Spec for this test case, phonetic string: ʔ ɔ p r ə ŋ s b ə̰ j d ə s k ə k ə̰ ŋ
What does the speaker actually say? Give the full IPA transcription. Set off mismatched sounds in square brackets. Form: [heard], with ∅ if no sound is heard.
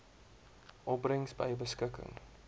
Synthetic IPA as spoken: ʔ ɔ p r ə ŋ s b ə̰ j [b] ə s k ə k ə̰ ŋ